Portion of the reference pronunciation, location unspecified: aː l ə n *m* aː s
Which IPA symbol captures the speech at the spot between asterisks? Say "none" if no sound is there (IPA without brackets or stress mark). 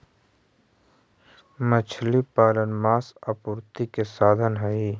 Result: m